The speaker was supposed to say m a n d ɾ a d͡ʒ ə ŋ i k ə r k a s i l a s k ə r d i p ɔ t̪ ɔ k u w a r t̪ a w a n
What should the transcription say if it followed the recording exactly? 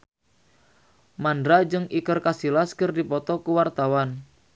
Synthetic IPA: m a n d ɾ a d͡ʒ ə ŋ i k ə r k a s i l a s k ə r d i p ɔ t̪ ɔ k u w a r t̪ a w a n